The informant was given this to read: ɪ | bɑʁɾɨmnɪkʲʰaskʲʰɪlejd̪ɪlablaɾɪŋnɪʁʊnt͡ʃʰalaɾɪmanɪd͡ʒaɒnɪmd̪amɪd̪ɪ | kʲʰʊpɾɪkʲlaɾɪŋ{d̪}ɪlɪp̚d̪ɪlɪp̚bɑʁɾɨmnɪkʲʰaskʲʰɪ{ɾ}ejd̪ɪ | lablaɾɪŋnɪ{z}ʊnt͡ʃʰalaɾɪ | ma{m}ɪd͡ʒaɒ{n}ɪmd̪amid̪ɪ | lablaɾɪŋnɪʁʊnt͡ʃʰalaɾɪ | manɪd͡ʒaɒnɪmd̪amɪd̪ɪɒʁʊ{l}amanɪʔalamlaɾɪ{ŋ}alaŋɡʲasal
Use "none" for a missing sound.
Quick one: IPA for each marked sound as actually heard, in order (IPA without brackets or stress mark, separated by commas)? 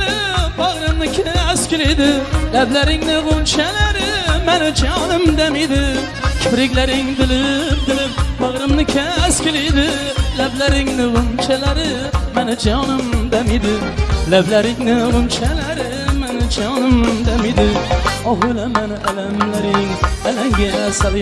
d̪, l, ʁ, n, n, l, ŋ